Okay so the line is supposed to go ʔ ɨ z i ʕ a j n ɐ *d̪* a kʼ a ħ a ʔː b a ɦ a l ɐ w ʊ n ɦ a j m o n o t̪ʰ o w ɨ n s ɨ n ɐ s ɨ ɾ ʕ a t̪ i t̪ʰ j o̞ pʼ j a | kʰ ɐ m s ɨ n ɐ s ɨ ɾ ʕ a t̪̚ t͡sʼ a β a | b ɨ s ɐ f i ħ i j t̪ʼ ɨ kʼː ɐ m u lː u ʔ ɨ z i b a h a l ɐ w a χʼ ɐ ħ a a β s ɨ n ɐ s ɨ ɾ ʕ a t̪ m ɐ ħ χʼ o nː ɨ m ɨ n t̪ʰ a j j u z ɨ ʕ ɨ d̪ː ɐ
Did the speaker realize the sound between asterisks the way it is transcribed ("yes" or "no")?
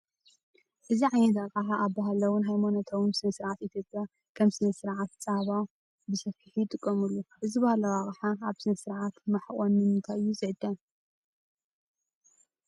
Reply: no